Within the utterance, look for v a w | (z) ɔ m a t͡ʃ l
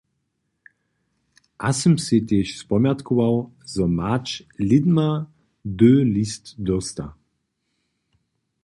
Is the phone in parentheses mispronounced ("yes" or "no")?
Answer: no